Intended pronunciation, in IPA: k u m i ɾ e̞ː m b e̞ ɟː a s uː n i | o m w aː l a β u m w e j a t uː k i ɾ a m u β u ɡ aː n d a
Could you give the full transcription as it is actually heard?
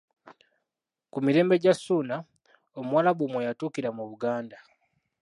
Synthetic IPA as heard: k u m i ɾ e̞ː m b e̞ ɟ a s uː n a | o m w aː l a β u m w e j a t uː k i ɾ a m u β u ɡ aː n d a